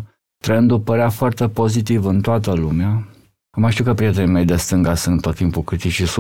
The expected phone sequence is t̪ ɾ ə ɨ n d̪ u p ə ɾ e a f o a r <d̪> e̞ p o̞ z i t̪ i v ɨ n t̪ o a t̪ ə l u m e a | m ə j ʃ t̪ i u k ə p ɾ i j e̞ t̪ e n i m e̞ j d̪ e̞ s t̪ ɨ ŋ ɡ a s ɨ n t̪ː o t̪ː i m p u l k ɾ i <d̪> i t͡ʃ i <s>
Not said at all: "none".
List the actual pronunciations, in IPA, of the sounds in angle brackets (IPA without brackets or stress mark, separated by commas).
t̪, t̪, s